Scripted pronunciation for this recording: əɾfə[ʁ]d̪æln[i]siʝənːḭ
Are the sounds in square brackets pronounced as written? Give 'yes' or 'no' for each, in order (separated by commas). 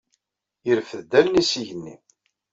no, yes